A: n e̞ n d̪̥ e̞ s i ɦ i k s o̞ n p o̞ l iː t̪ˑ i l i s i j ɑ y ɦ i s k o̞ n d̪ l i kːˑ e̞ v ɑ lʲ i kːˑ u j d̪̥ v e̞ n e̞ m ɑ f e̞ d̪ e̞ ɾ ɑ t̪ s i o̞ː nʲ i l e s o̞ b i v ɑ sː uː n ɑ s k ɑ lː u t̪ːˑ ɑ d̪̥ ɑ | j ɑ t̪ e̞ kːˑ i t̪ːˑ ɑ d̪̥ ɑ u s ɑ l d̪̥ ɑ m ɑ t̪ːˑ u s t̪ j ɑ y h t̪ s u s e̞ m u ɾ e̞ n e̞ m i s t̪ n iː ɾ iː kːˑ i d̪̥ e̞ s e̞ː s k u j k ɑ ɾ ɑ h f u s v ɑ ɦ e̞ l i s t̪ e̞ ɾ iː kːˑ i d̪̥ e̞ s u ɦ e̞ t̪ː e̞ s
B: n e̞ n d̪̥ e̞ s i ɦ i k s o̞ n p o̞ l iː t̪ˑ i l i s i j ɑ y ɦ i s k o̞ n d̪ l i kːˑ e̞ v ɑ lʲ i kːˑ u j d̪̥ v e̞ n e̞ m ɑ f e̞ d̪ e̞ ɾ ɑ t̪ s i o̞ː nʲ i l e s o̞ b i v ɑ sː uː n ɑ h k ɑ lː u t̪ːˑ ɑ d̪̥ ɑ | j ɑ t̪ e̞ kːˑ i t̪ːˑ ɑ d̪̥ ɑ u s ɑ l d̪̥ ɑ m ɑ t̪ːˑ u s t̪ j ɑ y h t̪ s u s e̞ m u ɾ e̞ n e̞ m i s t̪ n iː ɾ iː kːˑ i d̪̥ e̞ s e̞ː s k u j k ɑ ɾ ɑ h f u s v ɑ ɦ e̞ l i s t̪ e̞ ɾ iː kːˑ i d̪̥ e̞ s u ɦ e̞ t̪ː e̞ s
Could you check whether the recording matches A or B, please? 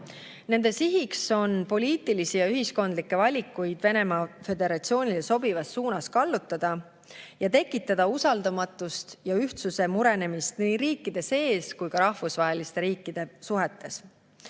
A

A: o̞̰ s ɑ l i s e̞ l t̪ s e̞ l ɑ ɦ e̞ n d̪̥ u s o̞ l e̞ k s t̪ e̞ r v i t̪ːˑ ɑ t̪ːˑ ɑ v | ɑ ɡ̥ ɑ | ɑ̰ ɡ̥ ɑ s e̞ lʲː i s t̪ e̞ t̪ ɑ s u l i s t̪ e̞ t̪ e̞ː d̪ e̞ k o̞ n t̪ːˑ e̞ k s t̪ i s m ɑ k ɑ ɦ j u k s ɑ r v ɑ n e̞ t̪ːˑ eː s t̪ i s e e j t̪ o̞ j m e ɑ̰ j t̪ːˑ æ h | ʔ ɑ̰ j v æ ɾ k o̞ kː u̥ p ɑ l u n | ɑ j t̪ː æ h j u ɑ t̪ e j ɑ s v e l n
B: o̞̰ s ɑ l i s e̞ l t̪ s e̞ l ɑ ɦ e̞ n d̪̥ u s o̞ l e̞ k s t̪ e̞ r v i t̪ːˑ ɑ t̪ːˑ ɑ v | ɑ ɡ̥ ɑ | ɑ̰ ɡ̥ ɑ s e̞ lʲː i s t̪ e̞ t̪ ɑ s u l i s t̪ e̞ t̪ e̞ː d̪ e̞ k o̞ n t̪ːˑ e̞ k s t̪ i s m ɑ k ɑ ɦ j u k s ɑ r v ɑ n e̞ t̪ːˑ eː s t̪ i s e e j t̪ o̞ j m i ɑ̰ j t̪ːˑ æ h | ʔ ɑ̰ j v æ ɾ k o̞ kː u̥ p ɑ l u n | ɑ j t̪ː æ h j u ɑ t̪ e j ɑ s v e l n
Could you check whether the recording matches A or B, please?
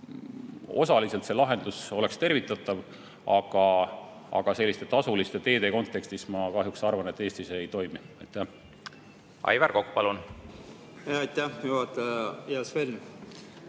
B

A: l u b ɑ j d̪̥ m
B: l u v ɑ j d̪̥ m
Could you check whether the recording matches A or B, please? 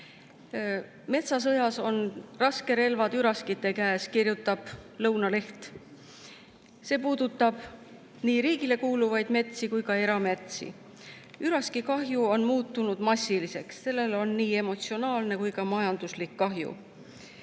B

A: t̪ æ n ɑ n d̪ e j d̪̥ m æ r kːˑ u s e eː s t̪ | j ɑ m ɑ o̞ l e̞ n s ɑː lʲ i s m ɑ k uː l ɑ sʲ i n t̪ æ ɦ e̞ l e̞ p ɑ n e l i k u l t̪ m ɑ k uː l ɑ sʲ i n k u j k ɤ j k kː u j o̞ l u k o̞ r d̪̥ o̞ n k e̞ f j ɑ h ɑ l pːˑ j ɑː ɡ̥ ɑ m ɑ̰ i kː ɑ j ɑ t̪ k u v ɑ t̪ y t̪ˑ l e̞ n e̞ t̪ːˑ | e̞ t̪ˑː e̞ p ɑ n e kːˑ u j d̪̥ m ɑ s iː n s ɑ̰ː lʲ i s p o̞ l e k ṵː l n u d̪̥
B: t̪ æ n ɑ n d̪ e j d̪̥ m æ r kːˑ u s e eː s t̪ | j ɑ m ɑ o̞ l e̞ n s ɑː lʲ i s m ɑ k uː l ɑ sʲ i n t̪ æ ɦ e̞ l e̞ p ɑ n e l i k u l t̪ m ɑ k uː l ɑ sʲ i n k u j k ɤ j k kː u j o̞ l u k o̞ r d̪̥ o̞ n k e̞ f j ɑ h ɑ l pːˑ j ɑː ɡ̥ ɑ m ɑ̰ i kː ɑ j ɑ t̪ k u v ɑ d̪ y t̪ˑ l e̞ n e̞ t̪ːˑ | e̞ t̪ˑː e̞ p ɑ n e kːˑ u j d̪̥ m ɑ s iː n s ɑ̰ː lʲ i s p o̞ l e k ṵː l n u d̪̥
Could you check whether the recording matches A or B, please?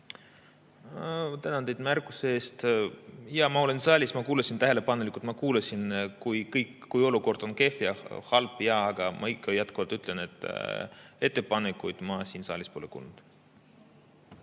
A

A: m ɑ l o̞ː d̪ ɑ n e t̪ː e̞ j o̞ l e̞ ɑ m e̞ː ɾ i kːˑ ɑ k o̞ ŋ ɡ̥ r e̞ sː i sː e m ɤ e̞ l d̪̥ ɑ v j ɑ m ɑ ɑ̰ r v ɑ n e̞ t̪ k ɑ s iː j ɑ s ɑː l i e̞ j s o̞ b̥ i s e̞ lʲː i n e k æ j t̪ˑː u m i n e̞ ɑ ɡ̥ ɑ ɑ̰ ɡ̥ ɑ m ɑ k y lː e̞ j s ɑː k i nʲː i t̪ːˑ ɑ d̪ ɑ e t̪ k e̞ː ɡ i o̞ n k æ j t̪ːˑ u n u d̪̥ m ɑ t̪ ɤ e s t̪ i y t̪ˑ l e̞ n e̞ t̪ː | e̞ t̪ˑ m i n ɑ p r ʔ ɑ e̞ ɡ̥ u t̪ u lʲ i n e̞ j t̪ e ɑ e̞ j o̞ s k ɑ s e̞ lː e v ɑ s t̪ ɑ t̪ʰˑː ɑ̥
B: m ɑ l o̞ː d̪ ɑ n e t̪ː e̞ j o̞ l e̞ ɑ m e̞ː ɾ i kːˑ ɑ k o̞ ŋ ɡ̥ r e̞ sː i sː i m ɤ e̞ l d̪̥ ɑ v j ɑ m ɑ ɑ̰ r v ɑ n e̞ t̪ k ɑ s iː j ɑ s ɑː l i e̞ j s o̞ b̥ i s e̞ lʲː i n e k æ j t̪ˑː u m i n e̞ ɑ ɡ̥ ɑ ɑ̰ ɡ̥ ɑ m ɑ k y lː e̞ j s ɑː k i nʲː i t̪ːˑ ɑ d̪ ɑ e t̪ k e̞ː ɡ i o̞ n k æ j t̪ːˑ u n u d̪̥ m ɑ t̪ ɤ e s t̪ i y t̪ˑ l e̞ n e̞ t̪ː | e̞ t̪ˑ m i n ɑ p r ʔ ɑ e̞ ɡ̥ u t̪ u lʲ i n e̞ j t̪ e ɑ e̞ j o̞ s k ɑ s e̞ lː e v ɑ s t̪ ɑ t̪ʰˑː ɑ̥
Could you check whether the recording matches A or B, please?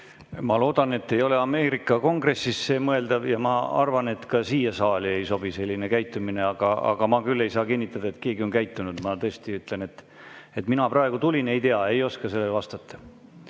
A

